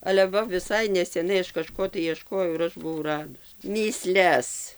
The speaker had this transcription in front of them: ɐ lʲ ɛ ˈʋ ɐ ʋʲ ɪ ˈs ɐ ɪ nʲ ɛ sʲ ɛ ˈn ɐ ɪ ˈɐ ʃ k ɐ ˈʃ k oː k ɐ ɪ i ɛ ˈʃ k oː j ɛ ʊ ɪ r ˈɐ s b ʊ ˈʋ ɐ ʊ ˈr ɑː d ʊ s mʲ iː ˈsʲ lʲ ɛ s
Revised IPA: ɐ lʲ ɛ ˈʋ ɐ ʋʲ ɪ ˈs ɐ ɪ nʲ ɛ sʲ ɛ ˈn ɐ ɪ ˈɐ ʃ k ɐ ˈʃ k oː t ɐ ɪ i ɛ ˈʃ k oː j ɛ ʊ ɪ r ˈɐ ʃ b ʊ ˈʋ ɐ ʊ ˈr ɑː d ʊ s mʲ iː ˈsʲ lʲ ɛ s

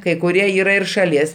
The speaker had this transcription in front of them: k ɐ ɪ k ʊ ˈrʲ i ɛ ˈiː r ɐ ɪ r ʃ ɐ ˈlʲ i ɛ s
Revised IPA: k ɐ ɪ k ʊ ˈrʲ i ɛ ˈiː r ɐ ɪ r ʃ ɐ ˈlʲ i ɛ s

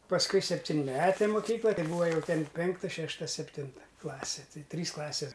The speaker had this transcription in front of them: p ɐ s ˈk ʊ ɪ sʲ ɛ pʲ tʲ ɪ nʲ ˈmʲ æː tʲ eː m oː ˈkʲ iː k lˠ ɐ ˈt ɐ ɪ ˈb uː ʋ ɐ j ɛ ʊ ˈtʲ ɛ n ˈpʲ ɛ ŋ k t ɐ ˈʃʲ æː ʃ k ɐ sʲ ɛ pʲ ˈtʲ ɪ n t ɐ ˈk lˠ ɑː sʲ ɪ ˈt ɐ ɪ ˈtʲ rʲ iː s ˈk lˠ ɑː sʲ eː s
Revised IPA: p ɐ s ˈk ʊ ɪ sʲ ɛ pʲ tʲ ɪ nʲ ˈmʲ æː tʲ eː m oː ˈkʲ iː k lˠ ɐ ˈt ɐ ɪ ˈb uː ʋ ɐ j ɛ ʊ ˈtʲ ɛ n ˈpʲ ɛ ŋ k t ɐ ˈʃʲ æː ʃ t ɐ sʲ ɛ pʲ ˈtʲ ɪ n t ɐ ˈk lˠ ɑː sʲ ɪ ˈt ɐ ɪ ˈtʲ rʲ iː s ˈk lˠ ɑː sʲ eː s

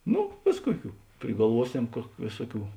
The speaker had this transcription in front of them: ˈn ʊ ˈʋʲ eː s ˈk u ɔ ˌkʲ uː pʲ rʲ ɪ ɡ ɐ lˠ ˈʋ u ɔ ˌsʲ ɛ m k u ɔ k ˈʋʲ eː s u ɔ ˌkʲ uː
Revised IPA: ˈn ʊ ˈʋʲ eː s ˈk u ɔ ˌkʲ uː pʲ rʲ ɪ ɡ ɐ lˠ ˈʋ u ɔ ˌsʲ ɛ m k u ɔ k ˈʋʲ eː s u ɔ ˌkʲ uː

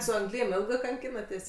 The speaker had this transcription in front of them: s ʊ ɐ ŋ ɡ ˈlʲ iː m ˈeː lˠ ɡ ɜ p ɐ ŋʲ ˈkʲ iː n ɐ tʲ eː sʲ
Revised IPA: s ʊ ɐ ŋ ɡ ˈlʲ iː m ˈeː lˠ ɡ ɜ k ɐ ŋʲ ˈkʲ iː n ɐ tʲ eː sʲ

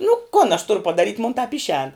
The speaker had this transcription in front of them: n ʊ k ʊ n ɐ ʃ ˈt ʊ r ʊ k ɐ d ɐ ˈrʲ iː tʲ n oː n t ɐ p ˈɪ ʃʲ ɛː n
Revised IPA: n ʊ k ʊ n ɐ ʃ ˈt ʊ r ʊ p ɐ d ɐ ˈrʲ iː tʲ m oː n t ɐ p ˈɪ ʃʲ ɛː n

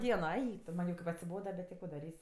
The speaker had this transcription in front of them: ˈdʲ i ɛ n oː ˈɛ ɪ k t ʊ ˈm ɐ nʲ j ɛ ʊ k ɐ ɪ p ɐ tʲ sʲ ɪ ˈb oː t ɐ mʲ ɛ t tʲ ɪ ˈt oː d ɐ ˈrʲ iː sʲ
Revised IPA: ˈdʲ i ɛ n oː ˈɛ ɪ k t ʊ ˈm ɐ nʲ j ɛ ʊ k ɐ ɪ p ɐ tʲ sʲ ɪ ˈb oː d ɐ bʲ ɛ t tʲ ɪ ˈk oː d ɐ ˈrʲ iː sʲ

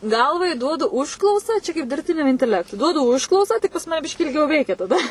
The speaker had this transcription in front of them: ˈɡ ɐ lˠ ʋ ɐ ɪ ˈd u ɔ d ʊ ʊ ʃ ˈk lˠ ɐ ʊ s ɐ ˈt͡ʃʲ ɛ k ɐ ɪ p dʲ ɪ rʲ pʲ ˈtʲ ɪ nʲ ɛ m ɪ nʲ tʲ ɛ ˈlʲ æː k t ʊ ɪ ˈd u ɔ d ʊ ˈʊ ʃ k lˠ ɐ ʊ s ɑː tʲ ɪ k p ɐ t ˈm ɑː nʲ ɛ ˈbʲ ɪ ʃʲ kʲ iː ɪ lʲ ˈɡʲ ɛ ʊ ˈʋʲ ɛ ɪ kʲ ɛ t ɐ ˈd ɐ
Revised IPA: ˈɡ ɐ lˠ ʋ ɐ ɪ ˈd u ɔ d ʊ ʊ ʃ ˈk lˠ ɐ ʊ s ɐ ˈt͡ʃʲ ɛ k ɐ ɪ p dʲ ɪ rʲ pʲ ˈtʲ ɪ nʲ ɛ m ɪ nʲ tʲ ɛ ˈlʲ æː k t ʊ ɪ ˈd u ɔ d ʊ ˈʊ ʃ k lˠ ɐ ʊ s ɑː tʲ ɪ k p ɐ s ˈm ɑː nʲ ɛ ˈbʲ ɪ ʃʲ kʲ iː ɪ lʲ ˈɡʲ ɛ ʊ ˈʋʲ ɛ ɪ kʲ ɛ t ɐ ˈd ɐ

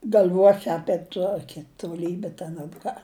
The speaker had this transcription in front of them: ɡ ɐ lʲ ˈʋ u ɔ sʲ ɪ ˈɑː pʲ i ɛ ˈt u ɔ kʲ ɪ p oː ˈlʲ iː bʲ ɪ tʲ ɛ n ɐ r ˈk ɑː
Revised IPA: ɡ ɐ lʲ ˈʋ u ɔ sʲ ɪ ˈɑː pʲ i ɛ ˈt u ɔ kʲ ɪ t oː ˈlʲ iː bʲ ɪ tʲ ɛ n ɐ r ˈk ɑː

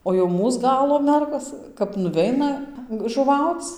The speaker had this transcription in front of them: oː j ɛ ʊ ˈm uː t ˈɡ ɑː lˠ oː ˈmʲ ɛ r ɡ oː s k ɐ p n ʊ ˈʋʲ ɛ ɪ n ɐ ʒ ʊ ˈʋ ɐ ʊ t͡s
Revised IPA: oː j ɛ ʊ ˈm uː s ˈɡ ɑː lˠ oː ˈmʲ ɛ r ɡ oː s k ɐ p n ʊ ˈʋʲ ɛ ɪ n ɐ ʒ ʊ ˈʋ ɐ ʊ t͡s

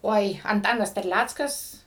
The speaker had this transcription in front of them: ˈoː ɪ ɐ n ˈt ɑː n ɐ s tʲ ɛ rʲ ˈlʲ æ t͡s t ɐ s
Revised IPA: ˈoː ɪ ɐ n ˈt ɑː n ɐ s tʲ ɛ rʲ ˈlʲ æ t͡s k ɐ s

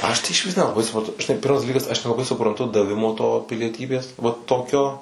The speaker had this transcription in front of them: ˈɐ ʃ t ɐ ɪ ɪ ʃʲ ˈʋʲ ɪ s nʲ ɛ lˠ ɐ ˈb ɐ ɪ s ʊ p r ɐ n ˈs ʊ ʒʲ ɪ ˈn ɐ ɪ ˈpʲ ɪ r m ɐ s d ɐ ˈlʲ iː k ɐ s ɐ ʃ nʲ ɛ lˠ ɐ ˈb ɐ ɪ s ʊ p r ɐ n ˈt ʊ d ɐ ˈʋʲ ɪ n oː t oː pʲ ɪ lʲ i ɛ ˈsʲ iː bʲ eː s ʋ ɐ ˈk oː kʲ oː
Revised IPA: ˈɐ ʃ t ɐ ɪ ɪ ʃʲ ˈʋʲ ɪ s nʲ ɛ lˠ ɐ ˈb ɐ ɪ s ʊ p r ɐ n ˈt ʊ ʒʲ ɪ ˈn ɐ ɪ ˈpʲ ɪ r m ɐ s d ɐ ˈlʲ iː k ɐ s ɐ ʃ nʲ ɛ lˠ ɐ ˈb ɐ ɪ s ʊ p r ɐ n ˈt ʊ d ɐ ˈʋʲ ɪ m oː t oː pʲ ɪ lʲ i ɛ ˈtʲ iː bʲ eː s ʋ ɐ ˈt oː kʲ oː

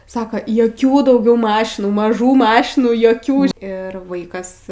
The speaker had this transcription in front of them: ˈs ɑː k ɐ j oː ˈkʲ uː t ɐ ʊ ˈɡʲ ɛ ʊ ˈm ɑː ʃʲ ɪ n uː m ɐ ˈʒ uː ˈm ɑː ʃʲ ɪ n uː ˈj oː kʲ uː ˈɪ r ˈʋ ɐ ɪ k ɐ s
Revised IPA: ˈs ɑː k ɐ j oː ˈkʲ uː d ɐ ʊ ˈɡʲ ɛ ʊ ˈm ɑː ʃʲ ɪ n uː m ɐ ˈʒ uː ˈm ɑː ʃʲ ɪ n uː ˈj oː kʲ uː ˈɪ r ˈʋ ɐ ɪ k ɐ s

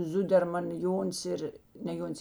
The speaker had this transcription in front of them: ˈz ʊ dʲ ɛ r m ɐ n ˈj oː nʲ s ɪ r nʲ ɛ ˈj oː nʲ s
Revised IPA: ˈz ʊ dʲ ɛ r m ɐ n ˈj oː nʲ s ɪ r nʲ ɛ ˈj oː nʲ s

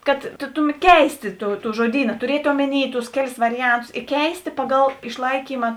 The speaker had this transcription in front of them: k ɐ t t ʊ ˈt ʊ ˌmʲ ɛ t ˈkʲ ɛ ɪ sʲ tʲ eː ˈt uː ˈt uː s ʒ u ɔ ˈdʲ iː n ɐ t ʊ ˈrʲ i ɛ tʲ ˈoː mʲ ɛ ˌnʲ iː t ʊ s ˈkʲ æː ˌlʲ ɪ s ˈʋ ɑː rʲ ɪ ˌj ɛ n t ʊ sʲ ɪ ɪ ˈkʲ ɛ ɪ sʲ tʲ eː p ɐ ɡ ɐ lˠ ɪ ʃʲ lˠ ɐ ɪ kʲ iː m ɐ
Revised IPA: k ɐ t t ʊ ˈt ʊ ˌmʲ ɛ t ˈkʲ ɛ ɪ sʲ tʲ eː ˈt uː ˈt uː ʒ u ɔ ˈdʲ iː n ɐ t ʊ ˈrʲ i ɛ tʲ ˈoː mʲ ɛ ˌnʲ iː t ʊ s ˈkʲ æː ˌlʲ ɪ s ˈʋ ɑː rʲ ɪ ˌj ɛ n t ʊ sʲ ɪ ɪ ˈkʲ ɛ ɪ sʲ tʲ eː p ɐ ɡ ɐ lˠ ɪ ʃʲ lˠ ɐ ɪ kʲ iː m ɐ

